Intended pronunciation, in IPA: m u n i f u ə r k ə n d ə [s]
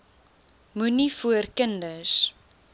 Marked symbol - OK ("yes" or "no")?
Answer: yes